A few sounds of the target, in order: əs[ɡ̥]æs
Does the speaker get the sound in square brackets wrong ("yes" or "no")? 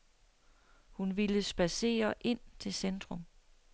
yes